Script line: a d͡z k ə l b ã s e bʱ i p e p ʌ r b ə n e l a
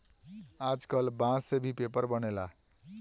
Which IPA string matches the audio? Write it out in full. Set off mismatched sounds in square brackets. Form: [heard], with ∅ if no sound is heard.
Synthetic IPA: a d͡z k [ʌ] l b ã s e bʱ i p e p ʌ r b [ʌ] n e l a